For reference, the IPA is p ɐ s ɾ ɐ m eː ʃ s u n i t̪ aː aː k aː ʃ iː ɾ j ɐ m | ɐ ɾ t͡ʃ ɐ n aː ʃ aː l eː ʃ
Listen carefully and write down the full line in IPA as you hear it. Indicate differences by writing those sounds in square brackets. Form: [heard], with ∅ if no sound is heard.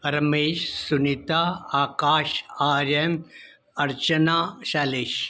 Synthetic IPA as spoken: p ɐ [∅] ɾ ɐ m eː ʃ s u n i t̪ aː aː k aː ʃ [aː] ɾ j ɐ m | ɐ ɾ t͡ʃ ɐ n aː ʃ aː l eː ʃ